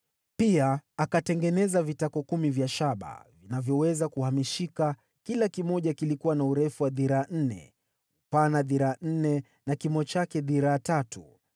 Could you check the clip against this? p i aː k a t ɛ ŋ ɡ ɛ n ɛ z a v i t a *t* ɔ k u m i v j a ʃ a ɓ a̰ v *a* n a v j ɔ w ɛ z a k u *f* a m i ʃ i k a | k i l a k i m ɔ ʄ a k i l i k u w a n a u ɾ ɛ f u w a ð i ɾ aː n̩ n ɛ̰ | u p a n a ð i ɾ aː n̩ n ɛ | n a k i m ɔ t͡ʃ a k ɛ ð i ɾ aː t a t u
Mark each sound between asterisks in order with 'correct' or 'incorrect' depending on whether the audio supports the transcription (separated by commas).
incorrect, incorrect, incorrect